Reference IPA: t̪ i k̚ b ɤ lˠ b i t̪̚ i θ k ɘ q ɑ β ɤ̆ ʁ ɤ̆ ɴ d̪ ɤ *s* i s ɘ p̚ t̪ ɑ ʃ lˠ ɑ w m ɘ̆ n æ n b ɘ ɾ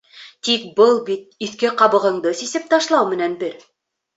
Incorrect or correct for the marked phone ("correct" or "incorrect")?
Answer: correct